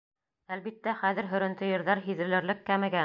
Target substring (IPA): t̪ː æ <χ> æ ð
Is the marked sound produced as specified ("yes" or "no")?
yes